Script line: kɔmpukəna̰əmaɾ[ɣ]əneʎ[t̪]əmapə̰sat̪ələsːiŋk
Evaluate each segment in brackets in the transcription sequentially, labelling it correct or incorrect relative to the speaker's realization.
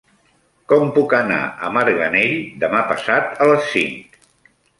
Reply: correct, incorrect: d̪

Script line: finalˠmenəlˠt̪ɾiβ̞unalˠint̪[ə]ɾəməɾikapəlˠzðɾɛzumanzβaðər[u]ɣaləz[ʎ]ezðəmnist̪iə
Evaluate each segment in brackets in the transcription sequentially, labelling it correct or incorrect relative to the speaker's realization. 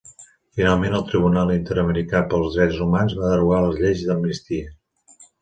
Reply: correct, correct, correct

